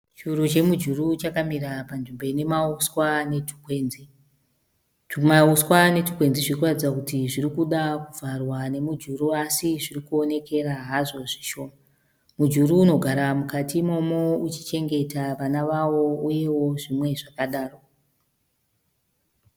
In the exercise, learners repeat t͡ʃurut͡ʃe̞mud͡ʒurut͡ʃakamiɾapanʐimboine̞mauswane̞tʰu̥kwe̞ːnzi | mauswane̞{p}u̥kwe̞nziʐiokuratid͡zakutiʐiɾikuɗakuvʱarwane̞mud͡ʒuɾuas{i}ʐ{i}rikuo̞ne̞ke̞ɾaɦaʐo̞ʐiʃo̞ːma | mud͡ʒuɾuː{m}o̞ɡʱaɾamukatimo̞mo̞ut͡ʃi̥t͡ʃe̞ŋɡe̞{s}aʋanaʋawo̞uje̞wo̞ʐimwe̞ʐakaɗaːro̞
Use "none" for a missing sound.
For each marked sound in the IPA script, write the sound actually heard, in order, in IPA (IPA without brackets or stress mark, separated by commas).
t, i, i, n, t